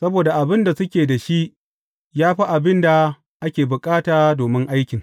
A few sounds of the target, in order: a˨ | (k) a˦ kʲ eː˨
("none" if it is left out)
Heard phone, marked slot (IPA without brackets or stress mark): ʔ